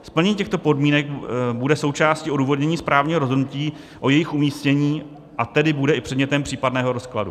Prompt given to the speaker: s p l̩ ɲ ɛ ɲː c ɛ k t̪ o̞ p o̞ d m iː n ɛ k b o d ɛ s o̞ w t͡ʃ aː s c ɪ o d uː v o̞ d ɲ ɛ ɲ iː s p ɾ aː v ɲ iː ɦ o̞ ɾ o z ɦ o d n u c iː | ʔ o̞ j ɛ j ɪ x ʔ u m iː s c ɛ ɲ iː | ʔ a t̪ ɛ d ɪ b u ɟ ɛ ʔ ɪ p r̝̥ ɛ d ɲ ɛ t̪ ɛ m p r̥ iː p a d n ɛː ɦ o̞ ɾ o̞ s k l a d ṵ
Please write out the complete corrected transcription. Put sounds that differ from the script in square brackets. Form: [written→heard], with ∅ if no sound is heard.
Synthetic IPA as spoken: s p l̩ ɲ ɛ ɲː c ɛ [k→x] t̪ o̞ p o̞ d m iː n ɛ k b [o→u] d ɛ s o̞ w t͡ʃ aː s c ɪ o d uː v o̞ d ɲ ɛ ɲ iː s p ɾ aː v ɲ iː ɦ o̞ ɾ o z ɦ o d n u c iː | ʔ o̞ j ɛ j ɪ x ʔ u m iː s c ɛ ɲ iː | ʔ a t̪ ɛ d ɪ b u [ɟ→d] ɛ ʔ ɪ p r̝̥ ɛ d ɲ ɛ t̪ ɛ m p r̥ iː p a d n ɛː ɦ o̞ ɾ o̞ s k l a d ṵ